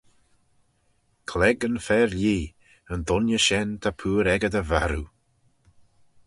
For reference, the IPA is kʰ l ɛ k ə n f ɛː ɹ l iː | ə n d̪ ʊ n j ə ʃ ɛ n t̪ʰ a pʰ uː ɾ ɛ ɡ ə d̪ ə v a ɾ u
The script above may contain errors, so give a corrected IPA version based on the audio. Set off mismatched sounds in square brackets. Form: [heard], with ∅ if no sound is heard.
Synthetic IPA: kʰ l ɛ [ɡ] ə n f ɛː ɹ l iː | ə n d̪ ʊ n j ə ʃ ɛ n t̪ʰ a pʰ uː ɾ ɛ ɡ ə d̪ ə v a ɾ u